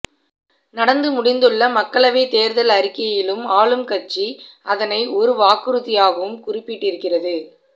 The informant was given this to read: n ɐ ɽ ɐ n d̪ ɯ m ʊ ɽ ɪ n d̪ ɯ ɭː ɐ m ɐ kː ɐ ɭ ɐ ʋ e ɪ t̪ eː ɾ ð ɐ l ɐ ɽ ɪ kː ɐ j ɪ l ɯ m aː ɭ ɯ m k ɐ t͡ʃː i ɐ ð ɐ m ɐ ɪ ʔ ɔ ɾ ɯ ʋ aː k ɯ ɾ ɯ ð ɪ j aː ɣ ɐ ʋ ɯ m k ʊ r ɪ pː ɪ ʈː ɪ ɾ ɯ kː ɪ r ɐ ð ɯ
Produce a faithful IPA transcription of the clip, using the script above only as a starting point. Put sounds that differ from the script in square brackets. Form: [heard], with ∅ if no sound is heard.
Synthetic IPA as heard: n ɐ ɽ ɐ n d̪ ɯ m ʊ ɽ ɪ n d̪ ɯ ɭː ɐ m ɐ kː ɐ ɭ ɐ ʋ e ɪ t̪ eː ɾ ð ɐ l ɐ [ɾ] ɪ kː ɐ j ɪ l ɯ m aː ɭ ɯ m k ɐ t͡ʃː i ɐ ð ɐ [n] ɐ ɪ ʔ ɔ ɾ ɯ ʋ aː k ɯ ɾ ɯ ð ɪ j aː ɣ ɐ ʋ ɯ m k ʊ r ɪ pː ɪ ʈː ɪ ɾ ɯ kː ɪ r ɐ ð ɯ